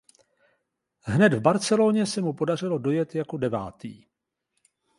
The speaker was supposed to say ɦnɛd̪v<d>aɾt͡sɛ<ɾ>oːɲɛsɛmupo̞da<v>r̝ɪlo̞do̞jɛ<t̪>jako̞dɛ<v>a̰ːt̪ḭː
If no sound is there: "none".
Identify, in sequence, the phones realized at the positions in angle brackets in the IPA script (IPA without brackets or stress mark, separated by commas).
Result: b, l, none, t̪, v